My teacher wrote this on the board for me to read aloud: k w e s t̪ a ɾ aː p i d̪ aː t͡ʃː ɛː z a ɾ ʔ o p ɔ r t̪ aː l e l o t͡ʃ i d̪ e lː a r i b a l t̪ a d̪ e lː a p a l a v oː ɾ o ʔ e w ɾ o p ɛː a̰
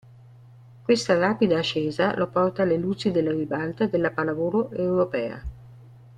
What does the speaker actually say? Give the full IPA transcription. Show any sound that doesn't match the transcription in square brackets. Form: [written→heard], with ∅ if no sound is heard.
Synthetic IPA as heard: k w e s t̪ a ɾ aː p i d̪ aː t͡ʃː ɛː z a [ɾ→l] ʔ o p ɔ r t̪ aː l e l [o→u] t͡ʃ i d̪ e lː a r i b a l t̪ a d̪ e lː a p a l a v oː ɾ o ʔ e w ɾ o p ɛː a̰